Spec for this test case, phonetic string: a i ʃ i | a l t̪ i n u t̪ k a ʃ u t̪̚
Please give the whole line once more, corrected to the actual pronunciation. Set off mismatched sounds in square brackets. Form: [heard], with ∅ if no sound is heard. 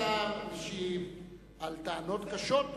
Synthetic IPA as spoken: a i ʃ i | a l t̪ [a] n [o] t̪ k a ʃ [o] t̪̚